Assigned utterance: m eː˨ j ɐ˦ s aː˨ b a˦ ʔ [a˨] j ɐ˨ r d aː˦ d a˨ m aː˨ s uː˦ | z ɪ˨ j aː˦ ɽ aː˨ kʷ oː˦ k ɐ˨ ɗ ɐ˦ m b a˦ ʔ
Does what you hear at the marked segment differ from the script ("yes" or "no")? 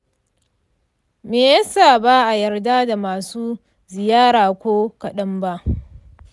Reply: no